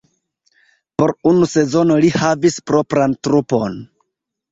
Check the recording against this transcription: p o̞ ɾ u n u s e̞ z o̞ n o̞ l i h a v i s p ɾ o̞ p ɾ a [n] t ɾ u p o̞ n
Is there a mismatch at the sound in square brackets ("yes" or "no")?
no